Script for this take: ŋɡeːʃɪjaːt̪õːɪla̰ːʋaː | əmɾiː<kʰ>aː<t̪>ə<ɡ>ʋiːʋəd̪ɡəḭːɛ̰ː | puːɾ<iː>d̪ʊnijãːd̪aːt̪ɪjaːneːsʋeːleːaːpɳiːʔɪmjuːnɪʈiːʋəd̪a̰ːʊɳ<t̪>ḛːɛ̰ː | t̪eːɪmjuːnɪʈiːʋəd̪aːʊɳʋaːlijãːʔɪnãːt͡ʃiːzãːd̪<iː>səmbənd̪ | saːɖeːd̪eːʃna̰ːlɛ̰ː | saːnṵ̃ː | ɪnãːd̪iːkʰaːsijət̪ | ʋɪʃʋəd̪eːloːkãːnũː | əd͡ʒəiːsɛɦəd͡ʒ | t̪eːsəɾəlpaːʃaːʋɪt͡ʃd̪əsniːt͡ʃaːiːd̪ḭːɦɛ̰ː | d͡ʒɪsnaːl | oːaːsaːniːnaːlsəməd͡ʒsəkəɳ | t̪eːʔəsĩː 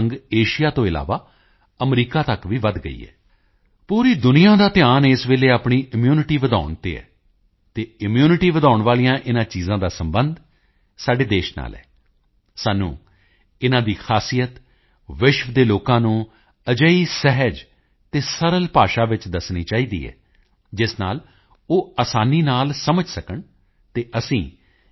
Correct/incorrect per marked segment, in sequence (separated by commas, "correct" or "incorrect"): incorrect, correct, incorrect, correct, correct, incorrect